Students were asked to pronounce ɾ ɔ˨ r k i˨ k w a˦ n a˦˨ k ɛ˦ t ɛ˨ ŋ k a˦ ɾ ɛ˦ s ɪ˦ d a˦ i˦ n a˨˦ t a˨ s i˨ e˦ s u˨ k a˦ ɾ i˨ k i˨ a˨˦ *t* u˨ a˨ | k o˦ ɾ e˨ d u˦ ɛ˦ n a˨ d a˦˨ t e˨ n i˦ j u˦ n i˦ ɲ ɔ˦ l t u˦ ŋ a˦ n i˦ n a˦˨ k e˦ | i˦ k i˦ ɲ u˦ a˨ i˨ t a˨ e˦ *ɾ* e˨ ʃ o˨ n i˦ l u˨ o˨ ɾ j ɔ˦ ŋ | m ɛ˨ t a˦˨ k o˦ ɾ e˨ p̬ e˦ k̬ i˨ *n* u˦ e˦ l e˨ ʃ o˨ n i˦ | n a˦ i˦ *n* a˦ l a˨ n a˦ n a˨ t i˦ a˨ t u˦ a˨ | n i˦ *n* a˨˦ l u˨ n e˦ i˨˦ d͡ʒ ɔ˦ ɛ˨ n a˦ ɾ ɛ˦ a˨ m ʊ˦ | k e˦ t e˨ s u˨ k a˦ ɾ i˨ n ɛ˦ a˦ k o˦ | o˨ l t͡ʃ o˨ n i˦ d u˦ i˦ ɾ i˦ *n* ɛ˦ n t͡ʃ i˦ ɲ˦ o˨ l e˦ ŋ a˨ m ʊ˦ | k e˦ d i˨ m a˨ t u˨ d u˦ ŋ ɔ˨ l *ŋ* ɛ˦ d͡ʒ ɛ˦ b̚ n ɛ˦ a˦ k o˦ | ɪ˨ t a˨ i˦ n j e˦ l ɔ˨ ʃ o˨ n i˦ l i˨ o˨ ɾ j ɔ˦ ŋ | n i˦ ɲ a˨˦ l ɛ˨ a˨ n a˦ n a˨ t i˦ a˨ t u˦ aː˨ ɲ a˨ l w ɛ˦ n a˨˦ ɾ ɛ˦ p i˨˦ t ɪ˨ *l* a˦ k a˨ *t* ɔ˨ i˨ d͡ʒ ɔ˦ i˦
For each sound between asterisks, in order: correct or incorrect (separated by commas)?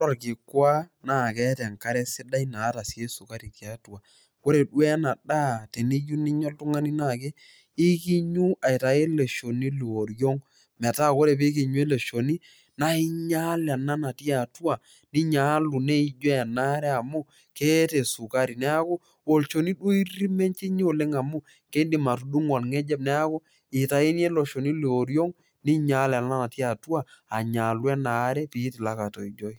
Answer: correct, incorrect, incorrect, incorrect, incorrect, incorrect, correct, correct, correct